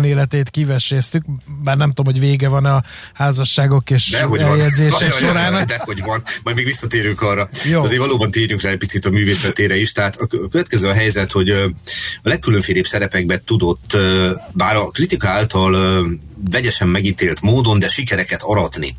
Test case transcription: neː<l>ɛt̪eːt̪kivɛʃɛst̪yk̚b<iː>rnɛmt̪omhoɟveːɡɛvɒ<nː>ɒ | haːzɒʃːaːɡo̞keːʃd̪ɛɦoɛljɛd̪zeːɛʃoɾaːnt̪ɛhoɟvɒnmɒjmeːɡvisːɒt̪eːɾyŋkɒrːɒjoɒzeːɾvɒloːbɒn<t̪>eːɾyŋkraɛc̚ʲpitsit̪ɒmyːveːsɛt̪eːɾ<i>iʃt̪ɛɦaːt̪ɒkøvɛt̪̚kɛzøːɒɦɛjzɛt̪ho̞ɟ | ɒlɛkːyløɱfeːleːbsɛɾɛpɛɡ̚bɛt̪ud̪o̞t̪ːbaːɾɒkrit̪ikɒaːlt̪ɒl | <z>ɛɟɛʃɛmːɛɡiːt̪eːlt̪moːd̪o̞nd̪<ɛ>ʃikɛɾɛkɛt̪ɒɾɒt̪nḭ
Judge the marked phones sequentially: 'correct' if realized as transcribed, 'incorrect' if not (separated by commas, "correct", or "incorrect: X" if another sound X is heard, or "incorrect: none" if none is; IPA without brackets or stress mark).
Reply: correct, incorrect: aː, incorrect: n, correct, incorrect: ɛ, incorrect: v, correct